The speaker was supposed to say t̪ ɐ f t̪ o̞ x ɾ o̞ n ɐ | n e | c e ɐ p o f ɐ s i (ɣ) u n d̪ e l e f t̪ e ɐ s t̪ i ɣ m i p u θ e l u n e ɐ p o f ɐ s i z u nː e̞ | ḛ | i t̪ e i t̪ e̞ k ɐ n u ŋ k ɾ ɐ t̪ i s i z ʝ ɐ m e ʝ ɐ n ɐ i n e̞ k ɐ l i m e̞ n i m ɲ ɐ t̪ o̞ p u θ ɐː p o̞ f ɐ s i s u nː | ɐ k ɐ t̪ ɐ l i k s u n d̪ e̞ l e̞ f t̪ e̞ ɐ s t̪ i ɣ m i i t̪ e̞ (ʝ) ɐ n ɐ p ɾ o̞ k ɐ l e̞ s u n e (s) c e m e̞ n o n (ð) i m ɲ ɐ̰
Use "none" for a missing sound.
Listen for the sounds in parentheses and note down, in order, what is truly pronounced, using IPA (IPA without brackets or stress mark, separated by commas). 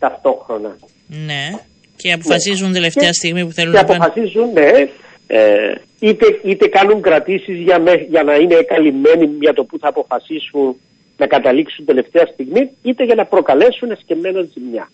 z, ʝ, s, z